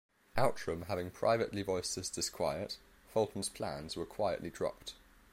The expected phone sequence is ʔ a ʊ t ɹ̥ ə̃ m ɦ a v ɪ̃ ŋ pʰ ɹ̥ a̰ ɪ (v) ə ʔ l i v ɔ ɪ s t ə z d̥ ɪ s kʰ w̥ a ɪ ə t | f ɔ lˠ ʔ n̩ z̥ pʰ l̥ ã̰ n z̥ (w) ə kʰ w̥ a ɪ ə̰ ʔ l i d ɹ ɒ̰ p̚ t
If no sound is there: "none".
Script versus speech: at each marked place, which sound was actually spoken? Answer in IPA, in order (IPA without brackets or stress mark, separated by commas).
v, w